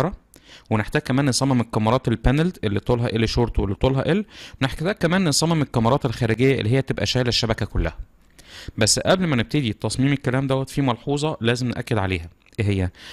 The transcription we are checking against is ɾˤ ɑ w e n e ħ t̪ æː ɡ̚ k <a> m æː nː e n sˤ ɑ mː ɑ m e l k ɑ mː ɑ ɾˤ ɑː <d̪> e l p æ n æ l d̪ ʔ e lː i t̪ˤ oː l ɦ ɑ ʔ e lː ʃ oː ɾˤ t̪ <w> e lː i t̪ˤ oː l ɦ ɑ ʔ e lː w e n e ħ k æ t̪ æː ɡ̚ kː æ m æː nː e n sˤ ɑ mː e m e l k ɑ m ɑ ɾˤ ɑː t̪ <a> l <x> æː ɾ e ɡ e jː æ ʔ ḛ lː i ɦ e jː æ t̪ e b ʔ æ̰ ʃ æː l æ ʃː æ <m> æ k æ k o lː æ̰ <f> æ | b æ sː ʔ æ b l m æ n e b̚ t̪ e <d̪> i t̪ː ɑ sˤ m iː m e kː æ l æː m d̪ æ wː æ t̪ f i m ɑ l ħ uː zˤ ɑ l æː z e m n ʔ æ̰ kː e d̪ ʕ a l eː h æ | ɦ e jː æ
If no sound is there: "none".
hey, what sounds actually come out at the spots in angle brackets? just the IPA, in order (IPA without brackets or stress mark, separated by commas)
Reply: æ, t̪, w, e, x, b, h, d̪